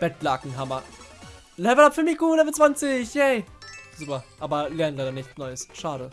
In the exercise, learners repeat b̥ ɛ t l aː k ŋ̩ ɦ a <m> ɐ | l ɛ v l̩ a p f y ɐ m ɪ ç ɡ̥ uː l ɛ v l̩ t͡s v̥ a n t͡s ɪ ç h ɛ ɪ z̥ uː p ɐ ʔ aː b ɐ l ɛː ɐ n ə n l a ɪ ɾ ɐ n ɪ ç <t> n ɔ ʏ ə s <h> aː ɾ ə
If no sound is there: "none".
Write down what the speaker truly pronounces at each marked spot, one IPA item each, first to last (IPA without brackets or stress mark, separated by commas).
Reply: m, t͡s, ʃ